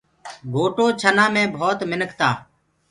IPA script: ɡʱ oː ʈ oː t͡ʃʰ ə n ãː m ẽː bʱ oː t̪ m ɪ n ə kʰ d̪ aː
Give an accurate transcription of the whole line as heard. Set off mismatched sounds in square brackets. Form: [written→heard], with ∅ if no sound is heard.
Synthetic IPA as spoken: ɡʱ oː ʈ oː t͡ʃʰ ə n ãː m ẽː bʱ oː t̪ m ɪ n ə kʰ [d̪→t̪] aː